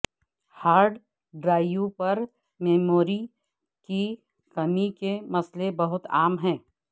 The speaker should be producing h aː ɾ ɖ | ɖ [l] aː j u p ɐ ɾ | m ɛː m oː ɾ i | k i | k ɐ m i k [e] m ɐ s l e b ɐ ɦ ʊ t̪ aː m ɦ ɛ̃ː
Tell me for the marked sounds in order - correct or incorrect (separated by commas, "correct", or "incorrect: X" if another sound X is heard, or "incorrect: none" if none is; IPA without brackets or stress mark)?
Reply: incorrect: ɾ, correct